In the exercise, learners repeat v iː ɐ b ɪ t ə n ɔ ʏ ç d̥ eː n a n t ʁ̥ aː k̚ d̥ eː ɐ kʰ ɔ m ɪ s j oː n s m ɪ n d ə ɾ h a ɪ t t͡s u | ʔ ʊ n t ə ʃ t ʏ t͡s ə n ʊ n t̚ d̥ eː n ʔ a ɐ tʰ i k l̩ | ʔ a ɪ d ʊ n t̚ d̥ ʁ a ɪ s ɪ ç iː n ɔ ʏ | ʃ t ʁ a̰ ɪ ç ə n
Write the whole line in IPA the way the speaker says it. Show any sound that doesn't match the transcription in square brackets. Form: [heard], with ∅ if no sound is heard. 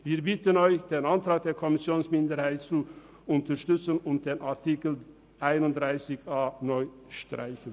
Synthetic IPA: v iː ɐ b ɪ t ə n ɔ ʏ ç d̥ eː n a n t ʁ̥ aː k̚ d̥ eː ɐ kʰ ɔ m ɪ s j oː n s m ɪ n d ə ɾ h a ɪ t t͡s u | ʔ ʊ n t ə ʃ t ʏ t͡s ə n ʊ n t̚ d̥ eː n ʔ a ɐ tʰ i k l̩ | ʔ a ɪ [n] ʊ n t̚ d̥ ʁ a ɪ s ɪ ç [aː] n ɔ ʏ | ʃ t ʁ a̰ ɪ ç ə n